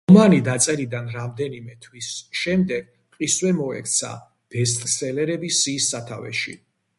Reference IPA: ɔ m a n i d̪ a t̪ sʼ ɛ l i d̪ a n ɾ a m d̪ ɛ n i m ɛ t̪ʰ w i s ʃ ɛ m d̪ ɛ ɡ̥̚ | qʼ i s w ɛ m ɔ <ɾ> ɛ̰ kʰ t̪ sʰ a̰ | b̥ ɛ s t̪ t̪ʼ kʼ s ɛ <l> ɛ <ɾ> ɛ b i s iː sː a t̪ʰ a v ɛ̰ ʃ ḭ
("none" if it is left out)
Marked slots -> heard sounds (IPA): none, l, ɾ

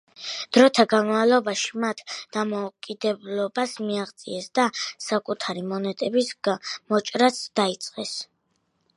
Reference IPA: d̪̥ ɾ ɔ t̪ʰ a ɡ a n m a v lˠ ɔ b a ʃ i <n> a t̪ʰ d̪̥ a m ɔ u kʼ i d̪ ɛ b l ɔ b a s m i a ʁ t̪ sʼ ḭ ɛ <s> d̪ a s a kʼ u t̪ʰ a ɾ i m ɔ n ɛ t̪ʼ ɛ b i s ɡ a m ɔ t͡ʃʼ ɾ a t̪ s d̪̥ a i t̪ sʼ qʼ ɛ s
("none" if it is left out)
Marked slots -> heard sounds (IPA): m, s

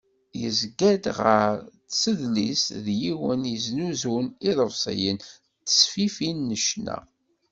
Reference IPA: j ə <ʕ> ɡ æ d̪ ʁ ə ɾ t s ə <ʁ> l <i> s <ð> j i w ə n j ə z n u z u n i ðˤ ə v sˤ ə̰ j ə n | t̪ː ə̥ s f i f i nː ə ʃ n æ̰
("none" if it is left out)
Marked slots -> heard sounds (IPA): z, ð, i, ð

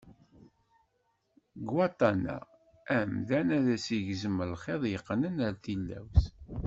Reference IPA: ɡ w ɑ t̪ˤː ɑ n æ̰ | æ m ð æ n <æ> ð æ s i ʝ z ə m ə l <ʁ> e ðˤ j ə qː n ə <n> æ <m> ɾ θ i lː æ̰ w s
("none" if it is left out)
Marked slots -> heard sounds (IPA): æ, χ, n, none

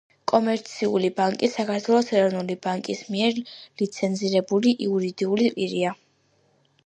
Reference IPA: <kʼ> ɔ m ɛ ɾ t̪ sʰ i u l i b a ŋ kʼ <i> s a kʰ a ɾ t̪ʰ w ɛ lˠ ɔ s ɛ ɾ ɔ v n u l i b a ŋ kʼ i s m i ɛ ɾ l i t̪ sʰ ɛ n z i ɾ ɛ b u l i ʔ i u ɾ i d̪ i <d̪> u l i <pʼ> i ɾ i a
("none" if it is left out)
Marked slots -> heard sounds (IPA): kʼ, i, none, pʼ

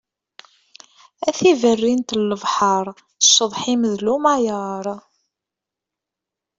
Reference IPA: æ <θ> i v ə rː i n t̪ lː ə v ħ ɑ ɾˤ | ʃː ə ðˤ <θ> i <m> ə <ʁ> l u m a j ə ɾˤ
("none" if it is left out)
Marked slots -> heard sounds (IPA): θ, ħ, m, ð

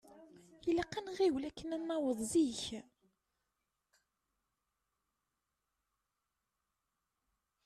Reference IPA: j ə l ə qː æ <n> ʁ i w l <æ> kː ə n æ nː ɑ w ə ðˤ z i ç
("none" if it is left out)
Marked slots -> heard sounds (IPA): n, æ

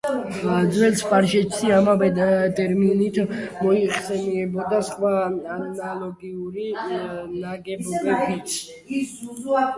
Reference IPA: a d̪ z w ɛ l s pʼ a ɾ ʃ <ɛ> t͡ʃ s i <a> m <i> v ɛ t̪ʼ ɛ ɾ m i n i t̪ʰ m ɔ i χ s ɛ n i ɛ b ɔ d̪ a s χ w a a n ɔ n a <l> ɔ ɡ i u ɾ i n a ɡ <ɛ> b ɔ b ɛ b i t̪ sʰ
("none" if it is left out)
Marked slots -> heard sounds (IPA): ɛ, a, a, l, ɛ

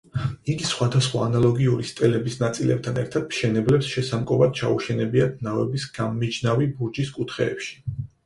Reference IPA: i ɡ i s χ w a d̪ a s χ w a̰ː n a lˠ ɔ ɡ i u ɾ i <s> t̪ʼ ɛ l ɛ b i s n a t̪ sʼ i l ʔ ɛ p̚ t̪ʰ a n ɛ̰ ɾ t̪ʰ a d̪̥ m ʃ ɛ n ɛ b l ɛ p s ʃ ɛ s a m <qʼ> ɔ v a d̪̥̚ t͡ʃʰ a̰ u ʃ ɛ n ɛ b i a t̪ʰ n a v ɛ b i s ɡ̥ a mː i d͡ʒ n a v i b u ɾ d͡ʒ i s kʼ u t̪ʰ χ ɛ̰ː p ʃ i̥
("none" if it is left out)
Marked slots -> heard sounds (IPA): s, kʼ

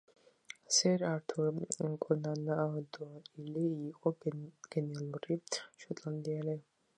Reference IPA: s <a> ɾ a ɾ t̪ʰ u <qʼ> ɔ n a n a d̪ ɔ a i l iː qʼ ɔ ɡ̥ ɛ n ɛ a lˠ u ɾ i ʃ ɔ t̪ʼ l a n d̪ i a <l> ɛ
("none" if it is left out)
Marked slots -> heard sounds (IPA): ɛ, kʼ, l

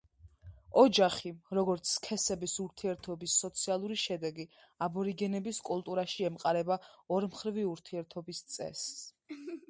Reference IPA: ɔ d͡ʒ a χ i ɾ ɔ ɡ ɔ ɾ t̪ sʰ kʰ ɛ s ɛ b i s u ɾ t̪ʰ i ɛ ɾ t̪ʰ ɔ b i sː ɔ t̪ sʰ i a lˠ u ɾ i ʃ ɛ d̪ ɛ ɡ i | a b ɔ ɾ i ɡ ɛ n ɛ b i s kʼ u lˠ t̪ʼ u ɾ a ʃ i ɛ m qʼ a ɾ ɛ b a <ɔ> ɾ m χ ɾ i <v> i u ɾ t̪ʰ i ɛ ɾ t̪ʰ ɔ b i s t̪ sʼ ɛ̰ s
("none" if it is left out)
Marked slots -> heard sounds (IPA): ɔ, v

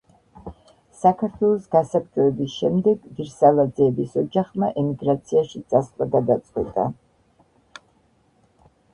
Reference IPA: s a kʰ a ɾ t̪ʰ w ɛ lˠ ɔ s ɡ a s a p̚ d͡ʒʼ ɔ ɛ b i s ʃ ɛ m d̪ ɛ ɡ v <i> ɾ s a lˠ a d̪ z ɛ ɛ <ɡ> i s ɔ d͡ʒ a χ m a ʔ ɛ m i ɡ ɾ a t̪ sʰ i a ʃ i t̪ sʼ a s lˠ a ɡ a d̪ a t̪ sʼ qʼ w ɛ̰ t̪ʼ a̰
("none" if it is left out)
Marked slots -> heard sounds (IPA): i, b

